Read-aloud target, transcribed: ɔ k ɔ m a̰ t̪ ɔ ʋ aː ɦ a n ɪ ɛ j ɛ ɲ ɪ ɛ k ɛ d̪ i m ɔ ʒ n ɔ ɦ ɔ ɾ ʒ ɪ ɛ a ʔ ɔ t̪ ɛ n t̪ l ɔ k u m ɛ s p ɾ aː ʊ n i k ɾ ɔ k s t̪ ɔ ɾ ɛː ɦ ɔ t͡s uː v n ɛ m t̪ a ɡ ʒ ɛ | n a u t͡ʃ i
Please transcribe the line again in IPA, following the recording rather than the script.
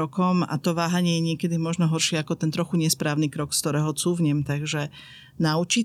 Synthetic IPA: ɔ k ɔ m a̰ t̪ ɔ ʋ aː ɦ a ɲ ɪ ɛ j ɛ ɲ ɪ ɛ k ɛ d̪ i m ɔ ʒ n ɔ ɦ ɔ ɾ ʃ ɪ ɛ a k ɔ t̪ ɛ n t̪ ɾ ɔ x u ɲ ɛ s p ɾ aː ʊ n i k ɾ ɔ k s t̪ ɔ ɾ ɛː ɦ ɔ t͡s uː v ɲ ɛ m t̪ a ɡ ʒ ɛ | n a u t͡ʃ i